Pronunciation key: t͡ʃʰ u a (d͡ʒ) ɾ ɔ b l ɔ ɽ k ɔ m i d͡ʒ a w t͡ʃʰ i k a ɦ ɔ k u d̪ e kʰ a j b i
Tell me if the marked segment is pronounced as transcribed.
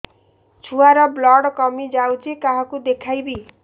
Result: no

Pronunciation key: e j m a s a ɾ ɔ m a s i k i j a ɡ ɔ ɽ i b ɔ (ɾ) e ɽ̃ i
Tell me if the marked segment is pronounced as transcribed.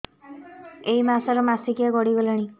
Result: no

